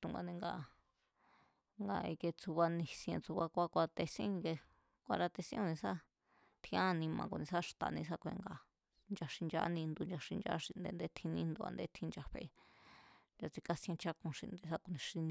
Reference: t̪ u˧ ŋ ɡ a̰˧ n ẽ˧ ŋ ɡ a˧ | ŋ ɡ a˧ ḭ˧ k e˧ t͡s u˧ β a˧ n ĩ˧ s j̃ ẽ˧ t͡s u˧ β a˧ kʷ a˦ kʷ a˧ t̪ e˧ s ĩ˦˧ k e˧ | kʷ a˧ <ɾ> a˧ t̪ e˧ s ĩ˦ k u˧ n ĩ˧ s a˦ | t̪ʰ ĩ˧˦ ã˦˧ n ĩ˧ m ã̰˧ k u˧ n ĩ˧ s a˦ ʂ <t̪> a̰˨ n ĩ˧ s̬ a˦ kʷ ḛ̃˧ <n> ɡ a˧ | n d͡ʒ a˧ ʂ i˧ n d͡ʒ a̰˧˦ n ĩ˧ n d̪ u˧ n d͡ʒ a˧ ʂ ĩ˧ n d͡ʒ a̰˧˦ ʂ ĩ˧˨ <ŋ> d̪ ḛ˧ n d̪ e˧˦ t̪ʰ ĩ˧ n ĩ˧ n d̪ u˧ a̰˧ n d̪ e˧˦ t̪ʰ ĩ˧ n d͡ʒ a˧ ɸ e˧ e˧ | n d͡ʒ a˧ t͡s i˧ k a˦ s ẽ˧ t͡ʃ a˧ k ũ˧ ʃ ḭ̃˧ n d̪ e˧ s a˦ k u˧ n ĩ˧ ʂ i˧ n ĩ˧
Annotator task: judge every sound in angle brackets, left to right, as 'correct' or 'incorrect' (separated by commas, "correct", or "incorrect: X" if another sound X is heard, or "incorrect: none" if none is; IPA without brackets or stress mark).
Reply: correct, correct, incorrect: ŋ, incorrect: n